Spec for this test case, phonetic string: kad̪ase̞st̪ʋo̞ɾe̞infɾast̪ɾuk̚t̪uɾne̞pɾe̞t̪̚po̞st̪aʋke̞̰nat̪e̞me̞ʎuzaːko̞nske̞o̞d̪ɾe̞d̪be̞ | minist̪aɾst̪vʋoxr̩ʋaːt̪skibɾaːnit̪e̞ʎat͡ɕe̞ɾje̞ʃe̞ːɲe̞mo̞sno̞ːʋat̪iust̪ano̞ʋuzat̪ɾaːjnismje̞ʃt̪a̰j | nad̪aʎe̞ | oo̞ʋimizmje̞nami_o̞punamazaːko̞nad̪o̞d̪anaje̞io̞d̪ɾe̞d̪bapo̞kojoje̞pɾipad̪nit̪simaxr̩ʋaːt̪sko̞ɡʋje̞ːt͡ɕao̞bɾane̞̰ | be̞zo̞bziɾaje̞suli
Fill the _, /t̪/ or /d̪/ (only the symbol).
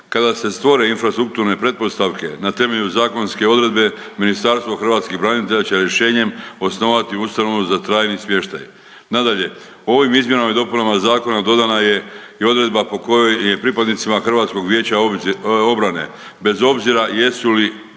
d̪